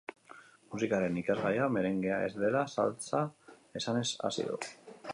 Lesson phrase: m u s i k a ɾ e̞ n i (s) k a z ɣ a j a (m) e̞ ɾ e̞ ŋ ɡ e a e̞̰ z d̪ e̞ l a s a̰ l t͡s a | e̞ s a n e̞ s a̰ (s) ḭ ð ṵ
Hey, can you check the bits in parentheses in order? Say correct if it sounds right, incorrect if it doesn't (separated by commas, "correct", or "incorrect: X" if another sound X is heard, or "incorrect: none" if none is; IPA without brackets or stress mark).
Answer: incorrect: none, correct, correct